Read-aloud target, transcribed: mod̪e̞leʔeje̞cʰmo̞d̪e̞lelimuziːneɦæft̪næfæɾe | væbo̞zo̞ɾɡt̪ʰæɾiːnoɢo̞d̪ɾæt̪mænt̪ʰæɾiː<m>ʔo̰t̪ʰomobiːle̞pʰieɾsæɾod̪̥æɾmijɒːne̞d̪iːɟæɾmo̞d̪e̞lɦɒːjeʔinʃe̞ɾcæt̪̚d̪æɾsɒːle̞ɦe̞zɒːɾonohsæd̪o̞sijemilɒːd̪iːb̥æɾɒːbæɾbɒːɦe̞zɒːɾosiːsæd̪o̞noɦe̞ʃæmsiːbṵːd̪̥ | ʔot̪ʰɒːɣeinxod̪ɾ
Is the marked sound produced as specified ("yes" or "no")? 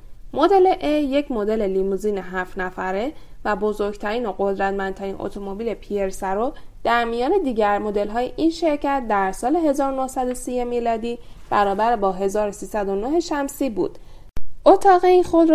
no